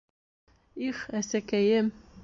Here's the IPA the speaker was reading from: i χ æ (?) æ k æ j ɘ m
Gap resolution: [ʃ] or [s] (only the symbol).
s